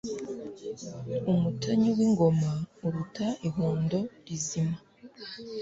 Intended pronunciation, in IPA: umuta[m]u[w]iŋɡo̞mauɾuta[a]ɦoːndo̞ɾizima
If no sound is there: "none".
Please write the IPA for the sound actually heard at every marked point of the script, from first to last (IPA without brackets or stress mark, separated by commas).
ɲ, w, i